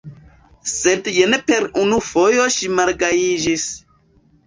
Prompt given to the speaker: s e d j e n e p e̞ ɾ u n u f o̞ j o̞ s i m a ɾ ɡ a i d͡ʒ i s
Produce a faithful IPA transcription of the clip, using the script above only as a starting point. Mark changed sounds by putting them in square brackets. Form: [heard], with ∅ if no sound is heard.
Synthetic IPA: s e d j e n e p e̞ ɾ u n u f o̞ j o̞ [ʃ] i m a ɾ ɡ a i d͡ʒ i s